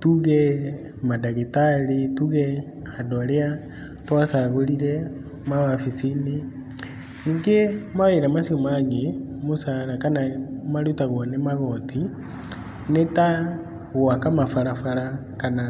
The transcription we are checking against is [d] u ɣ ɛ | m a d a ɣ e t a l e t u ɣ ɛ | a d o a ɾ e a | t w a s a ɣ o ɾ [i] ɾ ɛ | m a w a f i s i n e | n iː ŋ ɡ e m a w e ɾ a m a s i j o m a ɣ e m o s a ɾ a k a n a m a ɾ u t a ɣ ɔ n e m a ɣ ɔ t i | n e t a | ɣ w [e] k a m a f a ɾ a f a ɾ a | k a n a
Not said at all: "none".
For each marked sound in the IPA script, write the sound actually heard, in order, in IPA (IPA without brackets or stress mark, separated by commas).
t, i, a